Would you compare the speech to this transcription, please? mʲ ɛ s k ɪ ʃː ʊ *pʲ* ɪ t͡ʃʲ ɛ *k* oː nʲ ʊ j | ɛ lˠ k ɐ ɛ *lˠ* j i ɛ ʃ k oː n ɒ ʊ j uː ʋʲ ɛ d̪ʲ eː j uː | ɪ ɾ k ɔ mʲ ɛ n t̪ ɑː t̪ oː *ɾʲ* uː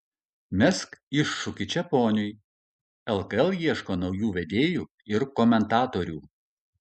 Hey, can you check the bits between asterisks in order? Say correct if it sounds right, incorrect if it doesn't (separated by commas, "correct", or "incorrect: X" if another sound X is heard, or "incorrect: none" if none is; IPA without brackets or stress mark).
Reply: incorrect: kʲ, incorrect: p, correct, correct